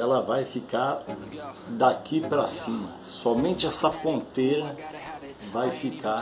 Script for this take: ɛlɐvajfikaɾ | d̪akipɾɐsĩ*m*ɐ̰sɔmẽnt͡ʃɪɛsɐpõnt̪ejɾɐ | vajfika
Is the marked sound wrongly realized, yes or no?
no